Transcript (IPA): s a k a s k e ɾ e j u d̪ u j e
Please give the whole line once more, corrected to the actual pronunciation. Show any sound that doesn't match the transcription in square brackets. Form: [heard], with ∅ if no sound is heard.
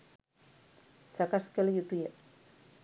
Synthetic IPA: s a k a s k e [l] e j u [t̪] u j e